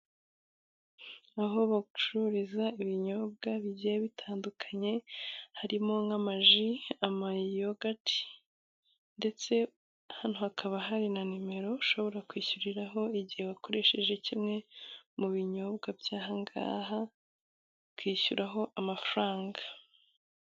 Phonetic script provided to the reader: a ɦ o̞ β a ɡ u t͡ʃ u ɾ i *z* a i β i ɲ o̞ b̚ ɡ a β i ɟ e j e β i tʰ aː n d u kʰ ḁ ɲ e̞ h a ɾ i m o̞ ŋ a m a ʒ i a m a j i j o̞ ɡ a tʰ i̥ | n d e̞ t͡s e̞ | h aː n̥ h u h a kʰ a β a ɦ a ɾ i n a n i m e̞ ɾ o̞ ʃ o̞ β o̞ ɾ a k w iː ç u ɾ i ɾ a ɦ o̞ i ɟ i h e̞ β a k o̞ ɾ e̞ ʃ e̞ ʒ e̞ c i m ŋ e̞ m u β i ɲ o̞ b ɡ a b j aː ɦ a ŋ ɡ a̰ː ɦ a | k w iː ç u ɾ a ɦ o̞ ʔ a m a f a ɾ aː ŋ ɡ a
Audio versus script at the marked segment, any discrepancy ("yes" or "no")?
no